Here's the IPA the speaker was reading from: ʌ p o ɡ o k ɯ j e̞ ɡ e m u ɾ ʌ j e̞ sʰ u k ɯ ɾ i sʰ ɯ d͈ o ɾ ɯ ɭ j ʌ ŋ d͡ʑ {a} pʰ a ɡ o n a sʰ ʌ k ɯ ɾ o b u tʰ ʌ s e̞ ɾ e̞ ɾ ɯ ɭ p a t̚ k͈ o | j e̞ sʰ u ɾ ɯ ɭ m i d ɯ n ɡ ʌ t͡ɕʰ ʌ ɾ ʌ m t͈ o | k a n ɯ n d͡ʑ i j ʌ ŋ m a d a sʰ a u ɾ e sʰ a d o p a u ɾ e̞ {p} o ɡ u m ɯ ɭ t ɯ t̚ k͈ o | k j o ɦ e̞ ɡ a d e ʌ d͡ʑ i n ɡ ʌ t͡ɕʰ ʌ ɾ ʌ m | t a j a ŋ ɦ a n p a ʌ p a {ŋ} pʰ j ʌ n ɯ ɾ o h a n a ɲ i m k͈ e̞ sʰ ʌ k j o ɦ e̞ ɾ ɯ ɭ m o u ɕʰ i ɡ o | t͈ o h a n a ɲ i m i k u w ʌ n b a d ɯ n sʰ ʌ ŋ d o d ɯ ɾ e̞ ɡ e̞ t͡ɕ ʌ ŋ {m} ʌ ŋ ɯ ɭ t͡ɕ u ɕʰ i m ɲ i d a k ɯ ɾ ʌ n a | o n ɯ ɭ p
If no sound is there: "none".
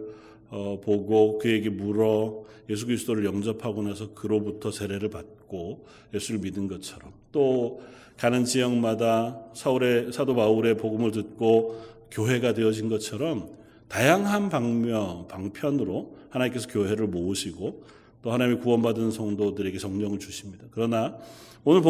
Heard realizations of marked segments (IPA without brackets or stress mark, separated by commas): ʌ, p, ŋ, ɲ